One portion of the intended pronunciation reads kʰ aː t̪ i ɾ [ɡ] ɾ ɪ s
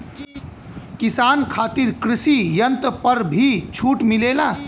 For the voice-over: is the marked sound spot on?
no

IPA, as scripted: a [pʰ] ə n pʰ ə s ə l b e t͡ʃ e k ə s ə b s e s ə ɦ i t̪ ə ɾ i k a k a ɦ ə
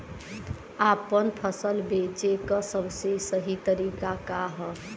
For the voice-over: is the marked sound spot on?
no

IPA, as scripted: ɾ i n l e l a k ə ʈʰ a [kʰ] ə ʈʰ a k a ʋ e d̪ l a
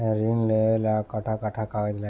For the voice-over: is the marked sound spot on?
no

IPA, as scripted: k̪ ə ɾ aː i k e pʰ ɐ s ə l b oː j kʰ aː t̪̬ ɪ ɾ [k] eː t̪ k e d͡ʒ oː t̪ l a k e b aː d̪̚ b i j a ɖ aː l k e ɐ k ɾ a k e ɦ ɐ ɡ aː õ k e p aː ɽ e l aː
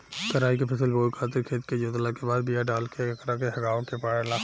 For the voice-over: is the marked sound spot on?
no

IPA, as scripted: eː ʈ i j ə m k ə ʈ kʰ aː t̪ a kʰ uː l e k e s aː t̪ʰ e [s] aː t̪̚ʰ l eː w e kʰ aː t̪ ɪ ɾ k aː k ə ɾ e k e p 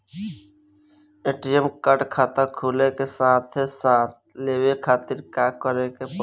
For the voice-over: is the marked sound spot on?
yes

